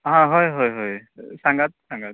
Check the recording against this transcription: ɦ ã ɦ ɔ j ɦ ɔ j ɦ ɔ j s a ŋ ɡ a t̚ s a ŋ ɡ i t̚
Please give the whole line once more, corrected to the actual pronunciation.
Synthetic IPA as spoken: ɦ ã ɦ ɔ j ɦ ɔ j ɦ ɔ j s a ŋ ɡ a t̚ s a ŋ ɡ a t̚